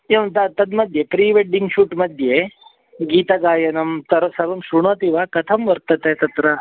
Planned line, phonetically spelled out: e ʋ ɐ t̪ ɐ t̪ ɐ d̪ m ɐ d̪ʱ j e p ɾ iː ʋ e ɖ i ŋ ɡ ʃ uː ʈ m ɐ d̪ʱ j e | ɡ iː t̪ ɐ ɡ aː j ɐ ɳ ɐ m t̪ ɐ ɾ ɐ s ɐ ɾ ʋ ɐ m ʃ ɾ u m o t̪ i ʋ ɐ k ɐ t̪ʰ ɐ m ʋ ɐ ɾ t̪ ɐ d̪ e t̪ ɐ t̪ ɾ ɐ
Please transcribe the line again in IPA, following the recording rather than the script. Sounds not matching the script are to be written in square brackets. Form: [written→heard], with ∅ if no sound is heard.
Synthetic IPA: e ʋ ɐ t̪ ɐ t̪ ɐ d̪ m ɐ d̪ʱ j e p ɾ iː ʋ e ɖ i ŋ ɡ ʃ uː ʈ m ɐ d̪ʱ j e | ɡ iː t̪ ɐ ɡ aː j ɐ [ɳ→n] ɐ m t̪ ɐ ɾ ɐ s ɐ ɾ ʋ ɐ m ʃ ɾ u [m→ɳ] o t̪ i ʋ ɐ k ɐ t̪ʰ ɐ m ʋ ɐ ɾ t̪ ɐ [d̪→t̪] e t̪ ɐ t̪ ɾ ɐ